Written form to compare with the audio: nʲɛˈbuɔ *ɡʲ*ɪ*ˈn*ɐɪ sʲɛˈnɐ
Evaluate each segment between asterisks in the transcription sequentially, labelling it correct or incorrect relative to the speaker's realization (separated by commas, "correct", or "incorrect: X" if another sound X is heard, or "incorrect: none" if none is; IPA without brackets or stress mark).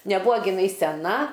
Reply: correct, correct